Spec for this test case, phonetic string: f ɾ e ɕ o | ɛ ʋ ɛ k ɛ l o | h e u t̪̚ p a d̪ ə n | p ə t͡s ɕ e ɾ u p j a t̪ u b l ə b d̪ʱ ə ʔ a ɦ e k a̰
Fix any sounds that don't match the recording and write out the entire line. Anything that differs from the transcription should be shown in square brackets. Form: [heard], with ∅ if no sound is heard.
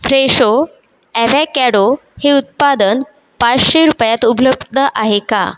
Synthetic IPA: f ɾ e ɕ o | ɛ ʋ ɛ k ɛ [ɽ] o | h e u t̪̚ p a d̪ ə n | p [a] t͡s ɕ e ɾ u p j a t̪ u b l ə b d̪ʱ ə ʔ a ɦ e k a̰